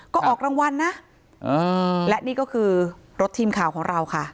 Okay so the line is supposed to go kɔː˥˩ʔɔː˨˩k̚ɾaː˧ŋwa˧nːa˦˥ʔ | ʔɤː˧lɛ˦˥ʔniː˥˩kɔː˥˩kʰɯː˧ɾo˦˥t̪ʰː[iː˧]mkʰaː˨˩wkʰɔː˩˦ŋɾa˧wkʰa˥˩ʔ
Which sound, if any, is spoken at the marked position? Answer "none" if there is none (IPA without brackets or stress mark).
iː˧